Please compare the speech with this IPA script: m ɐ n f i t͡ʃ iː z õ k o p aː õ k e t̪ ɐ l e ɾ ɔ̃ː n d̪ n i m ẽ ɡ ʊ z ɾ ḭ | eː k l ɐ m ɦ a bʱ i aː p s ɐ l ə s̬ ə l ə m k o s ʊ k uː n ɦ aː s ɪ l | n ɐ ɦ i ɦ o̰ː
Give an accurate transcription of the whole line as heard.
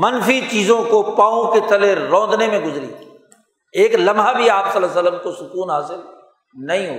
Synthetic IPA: m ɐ n f i t͡ʃ iː z õ k o p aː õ k e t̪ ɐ l e ɾ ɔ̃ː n d̪ n e m ẽ ɡ ʊ z ɾ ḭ | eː k l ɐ m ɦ a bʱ i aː p s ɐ l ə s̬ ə l ə m k o s ʊ k uː n ɦ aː s ɪ l | n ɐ ɦ ĩ ɦ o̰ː